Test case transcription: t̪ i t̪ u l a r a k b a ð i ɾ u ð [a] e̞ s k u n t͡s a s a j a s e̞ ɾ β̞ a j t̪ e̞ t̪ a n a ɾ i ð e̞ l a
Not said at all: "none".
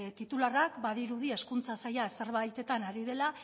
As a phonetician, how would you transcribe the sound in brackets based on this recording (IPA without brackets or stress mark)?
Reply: i